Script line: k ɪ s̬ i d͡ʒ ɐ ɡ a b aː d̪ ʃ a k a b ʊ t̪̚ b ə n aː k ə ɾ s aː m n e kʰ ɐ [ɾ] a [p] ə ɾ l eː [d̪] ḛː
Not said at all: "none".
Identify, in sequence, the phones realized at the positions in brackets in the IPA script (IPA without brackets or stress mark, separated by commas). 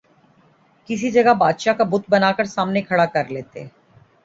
ɽ, k, t̪